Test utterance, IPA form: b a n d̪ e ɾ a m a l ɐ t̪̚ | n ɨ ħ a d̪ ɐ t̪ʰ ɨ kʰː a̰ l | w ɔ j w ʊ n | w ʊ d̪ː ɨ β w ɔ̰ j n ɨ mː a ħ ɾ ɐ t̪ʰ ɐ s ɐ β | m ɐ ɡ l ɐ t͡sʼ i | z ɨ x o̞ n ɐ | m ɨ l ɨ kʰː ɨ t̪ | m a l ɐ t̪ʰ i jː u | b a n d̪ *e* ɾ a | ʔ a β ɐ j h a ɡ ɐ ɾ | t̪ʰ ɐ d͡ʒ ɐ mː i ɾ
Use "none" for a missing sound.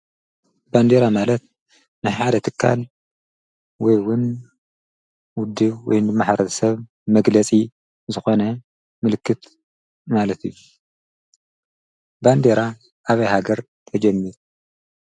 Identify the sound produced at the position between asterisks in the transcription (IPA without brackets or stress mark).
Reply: e